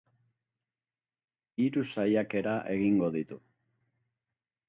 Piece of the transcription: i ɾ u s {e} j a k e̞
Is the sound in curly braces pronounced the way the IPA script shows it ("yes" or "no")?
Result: no